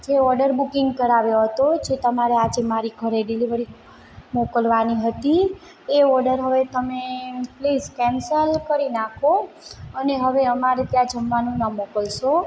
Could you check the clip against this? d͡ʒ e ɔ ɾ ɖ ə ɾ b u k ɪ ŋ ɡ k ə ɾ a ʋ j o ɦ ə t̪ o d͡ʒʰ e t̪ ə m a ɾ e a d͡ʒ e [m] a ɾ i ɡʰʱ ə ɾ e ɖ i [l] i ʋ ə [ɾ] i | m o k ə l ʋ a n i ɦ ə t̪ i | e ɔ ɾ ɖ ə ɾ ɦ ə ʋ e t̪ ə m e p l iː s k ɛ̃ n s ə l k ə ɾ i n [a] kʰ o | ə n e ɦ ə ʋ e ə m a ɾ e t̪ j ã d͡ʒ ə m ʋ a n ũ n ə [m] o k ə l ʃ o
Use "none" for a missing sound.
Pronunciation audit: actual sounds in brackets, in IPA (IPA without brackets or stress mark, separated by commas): m, l, ɾ, a, m